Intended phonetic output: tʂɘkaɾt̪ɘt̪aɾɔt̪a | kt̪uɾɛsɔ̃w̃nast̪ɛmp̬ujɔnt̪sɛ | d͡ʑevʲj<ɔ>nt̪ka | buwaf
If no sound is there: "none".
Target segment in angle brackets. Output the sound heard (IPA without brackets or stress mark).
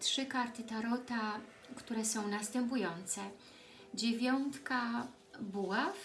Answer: ɔ